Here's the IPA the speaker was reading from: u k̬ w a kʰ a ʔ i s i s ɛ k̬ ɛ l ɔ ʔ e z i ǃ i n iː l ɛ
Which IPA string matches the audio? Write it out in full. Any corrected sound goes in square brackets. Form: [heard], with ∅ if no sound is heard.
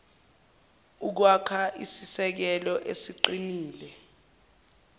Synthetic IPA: u k̬ w a kʰ a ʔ i s i s ɛ k̬ ɛ l ɔ ʔ e [s] i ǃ i n iː l ɛ